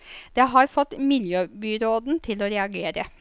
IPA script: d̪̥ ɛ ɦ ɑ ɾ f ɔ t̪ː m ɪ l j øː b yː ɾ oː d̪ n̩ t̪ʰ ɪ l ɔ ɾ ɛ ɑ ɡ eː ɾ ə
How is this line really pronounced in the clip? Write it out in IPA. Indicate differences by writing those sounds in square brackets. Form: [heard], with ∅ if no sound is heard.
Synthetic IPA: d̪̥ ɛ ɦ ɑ ɾ f ɔ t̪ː m ɪ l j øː b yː ɾ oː d̪ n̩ t̪ʰ ɪ l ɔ ɾ ɛ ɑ ɡ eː ɾ ə

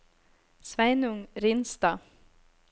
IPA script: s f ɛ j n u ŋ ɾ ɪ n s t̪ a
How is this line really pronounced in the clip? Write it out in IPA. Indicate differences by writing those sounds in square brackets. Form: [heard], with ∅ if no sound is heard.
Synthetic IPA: s [v] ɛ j n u ŋ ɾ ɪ n s t̪ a

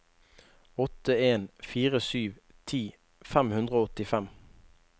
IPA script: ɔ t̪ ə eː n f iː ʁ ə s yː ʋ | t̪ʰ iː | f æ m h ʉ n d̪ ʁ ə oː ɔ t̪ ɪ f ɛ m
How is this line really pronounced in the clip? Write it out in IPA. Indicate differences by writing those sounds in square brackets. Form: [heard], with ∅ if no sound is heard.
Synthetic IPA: ɔ t̪ ə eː n f iː ʁ ə s yː ʋ | t̪ʰ iː | f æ m h ʉ n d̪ ʁ ə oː ɔ t̪ ɪ f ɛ m

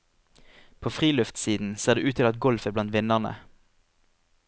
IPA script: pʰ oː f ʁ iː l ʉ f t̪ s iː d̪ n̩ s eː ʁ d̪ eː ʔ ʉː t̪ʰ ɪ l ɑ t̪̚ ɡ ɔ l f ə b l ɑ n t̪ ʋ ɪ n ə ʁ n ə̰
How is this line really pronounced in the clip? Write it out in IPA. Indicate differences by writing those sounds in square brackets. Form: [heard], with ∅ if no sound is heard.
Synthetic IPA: pʰ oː f ʁ iː l ʉ f t̪ s iː d̪ n̩ s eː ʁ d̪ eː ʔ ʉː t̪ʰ ɪ l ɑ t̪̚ ɡ ɔ l f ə b l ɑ n t̪ ʋ ɪ n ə ʁ n ə̰

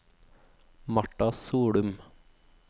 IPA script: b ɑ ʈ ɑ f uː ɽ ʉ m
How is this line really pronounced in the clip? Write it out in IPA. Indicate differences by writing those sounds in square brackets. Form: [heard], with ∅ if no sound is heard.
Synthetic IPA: [m] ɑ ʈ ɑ [s] uː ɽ ʉ m

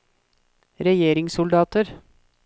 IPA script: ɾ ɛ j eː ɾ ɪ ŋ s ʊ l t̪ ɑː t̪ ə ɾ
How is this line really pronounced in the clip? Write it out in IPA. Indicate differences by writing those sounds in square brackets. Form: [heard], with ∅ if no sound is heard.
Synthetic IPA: ɾ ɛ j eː ɾ ɪ ŋ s ʊ l [d̪] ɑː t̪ ə ɾ

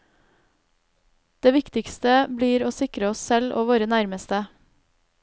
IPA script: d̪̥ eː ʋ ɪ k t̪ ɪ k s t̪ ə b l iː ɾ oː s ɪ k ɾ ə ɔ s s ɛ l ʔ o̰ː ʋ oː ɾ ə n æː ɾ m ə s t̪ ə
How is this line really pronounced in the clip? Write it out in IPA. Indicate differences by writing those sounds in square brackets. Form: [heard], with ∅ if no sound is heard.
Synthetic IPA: d̪̥ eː ʋ ɪ k t̪ ɪ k s t̪ ə b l iː ɾ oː s ɪ k ɾ ə ɔ s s ɛ l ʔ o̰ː ʋ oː ɾ ə n [æ] ɾ m ə s t̪ ə

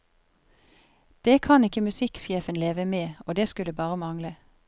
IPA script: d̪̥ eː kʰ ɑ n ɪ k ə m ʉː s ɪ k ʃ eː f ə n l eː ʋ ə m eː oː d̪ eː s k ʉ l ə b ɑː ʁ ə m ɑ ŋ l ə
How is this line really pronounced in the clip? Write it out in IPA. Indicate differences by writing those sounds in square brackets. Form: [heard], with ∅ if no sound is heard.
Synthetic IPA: d̪̥ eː kʰ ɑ n ɪ k ə m [ʉ] s ɪ k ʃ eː f ə n l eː ʋ ə m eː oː d̪ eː s k ʉ l ə b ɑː ʁ ə m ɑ ŋ l ə

